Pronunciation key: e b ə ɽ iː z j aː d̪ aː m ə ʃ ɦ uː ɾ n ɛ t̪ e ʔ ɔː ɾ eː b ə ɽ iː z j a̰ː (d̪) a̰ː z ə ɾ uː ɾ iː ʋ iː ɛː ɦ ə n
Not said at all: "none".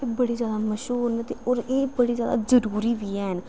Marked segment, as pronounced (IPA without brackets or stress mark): d̪